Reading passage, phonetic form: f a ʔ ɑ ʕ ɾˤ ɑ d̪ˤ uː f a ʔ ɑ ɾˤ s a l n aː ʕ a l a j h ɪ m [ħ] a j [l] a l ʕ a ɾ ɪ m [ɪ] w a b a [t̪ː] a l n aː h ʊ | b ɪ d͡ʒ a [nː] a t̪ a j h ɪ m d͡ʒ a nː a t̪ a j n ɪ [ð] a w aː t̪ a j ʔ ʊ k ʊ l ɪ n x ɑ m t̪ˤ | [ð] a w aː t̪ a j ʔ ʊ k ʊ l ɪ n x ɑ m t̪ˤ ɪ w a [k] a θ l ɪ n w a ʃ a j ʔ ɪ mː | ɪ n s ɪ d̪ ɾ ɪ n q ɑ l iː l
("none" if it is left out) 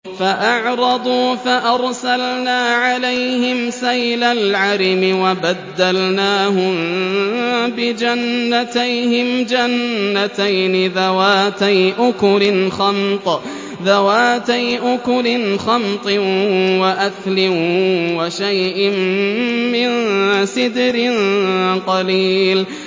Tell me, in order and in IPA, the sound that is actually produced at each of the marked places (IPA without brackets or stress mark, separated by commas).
s, l, ɪ, d̪ː, nː, ð, ð, ʔ